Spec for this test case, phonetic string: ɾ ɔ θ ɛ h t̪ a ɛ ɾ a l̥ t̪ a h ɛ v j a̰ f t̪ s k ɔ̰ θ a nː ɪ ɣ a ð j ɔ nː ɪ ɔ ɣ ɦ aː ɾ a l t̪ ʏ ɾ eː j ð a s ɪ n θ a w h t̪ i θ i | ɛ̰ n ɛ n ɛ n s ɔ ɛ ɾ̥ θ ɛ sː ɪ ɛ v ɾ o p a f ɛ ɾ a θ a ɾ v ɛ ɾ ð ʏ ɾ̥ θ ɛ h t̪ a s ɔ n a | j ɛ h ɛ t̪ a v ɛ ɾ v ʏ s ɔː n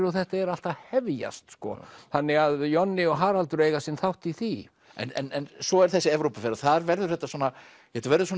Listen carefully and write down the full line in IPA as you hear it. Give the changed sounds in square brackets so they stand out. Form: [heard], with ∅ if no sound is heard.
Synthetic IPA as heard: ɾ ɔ θ ɛ h t̪ a ɛ ɾ a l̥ t̪ a h ɛ v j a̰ [s] t̪ s k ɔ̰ θ a nː ɪ ɣ a ð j ɔ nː ɪ ɔ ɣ ɦ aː ɾ a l t̪ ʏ ɾ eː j [ɣ] a s ɪ n θ a w h t̪ i θ i | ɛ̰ n ɛ n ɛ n s ɔ ɛ ɾ̥ θ ɛ sː ɪ ɛ v ɾ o p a f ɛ ɾ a θ a ɾ v ɛ ɾ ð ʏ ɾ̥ θ ɛ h t̪ a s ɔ n a | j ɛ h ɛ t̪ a v ɛ ɾ [ð] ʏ s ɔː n

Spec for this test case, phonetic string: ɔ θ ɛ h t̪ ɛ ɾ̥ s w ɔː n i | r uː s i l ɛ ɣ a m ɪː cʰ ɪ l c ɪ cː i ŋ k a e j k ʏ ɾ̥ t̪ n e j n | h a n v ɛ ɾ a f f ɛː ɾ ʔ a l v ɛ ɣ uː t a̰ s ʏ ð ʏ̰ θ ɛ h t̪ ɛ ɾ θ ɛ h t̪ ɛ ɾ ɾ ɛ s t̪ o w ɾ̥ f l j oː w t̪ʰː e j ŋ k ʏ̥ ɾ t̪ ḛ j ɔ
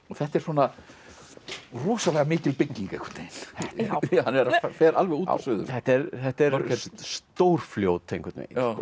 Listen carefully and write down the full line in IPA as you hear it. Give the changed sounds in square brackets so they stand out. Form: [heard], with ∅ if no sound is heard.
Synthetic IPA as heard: ɔ θ ɛ h t̪ ɛ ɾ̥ s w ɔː n [a] | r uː s [a] l ɛ ɣ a m ɪː [c] ɪ l [p] ɪ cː i ŋ k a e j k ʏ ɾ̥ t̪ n e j n | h a n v ɛ ɾ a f f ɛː ɾ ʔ a l v ɛ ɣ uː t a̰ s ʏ ð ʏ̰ θ ɛ h t̪ ɛ ɾ θ ɛ h t̪ ɛ ɾ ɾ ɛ s t̪ o w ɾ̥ f l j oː w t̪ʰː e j ŋ k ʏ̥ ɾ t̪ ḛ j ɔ

